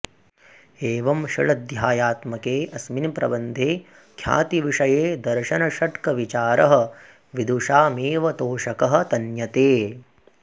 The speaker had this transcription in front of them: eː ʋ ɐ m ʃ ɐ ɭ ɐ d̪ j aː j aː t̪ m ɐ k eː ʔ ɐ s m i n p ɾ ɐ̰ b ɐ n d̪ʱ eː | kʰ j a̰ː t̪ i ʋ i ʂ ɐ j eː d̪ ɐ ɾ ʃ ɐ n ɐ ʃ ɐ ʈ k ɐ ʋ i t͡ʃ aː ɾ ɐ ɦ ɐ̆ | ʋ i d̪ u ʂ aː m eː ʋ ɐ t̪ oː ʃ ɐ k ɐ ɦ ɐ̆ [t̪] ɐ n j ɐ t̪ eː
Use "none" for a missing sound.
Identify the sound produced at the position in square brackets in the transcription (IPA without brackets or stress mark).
t̪